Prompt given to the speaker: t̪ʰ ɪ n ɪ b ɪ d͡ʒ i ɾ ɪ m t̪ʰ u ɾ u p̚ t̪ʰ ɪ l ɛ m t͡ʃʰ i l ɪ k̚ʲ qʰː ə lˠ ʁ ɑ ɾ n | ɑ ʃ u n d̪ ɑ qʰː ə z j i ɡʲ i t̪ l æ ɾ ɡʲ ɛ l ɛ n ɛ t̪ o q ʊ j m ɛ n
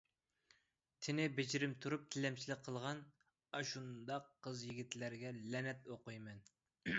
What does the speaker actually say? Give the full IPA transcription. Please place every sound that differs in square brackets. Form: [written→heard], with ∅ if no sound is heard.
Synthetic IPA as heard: t̪ʰ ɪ n ɪ b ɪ d͡ʒ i ɾ ɪ m t̪ʰ u ɾ u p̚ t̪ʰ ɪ l ɛ m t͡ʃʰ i l ɪ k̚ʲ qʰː ə lˠ ʁ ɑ [ɾ→∅] n | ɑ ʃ u n d̪ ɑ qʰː ə z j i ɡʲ i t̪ l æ ɾ ɡʲ ɛ l ɛ n ɛ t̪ o q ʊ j m ɛ n